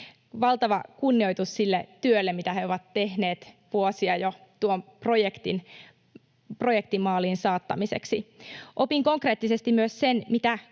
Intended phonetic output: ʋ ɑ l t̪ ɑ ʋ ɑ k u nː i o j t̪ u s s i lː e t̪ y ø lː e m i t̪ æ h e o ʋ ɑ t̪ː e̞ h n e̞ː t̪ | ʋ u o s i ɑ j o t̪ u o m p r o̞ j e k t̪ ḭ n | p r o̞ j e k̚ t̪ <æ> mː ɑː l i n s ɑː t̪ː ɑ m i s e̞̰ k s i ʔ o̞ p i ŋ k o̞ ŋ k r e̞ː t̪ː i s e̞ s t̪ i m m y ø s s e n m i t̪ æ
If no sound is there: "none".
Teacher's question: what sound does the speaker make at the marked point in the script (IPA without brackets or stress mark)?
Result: i